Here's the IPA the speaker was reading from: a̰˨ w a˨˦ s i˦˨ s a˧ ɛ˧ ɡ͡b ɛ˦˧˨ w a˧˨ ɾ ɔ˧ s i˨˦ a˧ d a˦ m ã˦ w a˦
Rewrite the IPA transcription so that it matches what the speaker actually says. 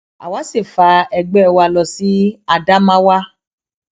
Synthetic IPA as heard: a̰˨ w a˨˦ s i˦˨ f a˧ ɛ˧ ɡ͡b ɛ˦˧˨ w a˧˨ l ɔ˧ s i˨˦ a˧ d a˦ m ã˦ w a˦